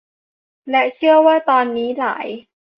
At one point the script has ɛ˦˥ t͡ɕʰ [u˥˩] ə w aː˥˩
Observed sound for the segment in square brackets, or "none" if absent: ɯ˥˩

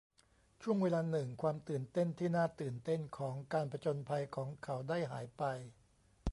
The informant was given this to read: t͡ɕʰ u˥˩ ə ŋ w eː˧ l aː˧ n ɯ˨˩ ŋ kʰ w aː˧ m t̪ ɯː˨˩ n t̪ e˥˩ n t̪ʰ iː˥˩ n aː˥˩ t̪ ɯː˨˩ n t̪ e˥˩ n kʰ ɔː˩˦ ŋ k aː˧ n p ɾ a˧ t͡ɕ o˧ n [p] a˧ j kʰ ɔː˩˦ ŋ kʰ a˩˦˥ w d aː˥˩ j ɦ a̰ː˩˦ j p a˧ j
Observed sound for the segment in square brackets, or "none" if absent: pʰ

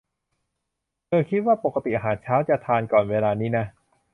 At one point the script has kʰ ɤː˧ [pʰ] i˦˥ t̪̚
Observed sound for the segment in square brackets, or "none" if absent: kʰ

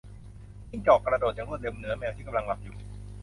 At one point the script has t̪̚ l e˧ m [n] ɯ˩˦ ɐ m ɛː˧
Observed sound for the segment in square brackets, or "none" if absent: n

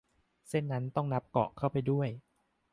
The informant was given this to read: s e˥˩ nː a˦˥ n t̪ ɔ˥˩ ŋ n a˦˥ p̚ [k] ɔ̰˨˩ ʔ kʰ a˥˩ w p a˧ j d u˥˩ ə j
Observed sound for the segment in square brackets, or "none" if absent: k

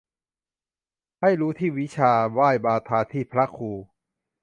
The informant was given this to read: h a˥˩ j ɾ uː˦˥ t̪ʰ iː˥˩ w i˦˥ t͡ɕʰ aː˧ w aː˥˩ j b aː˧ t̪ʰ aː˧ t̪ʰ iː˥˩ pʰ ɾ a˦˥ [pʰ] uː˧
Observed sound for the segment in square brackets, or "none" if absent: kʰ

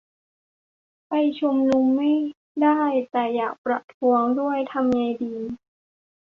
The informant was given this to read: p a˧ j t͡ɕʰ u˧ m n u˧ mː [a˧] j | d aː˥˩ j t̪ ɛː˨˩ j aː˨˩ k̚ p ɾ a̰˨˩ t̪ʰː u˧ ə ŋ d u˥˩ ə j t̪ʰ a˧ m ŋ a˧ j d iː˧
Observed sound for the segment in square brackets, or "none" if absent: a˥˩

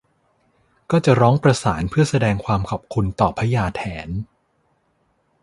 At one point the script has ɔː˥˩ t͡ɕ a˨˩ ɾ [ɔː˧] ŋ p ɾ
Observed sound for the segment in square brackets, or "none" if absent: ɔː˦˥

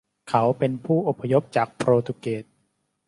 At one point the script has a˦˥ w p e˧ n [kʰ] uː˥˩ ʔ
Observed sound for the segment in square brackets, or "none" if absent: pʰ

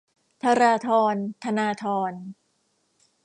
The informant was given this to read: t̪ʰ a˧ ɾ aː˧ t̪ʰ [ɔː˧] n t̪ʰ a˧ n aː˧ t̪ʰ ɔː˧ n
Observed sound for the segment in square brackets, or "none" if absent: ɔː˧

